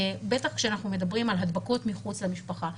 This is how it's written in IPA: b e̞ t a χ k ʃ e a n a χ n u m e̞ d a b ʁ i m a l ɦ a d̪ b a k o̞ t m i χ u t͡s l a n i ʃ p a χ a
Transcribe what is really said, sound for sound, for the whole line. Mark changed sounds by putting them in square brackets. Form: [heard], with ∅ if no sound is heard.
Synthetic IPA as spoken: b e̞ t a χ k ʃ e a n a χ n u m e̞ d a b ʁ i m a l ɦ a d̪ b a k o̞ t m i χ u t͡s l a [m] i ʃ p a χ a